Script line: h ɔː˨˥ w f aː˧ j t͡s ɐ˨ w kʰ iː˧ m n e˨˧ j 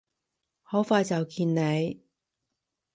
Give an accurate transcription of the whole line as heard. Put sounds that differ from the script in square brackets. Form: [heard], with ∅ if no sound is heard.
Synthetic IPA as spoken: h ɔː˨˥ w f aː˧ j t͡s ɐ˨ w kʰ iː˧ [n] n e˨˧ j